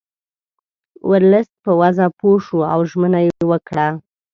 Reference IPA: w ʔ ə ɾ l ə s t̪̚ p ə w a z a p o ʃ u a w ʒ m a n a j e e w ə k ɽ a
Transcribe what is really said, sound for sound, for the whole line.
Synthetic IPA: w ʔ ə ɾ l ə s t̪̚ p ə w a z a p o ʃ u a w ʒ m ə n a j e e w ə k ɽ a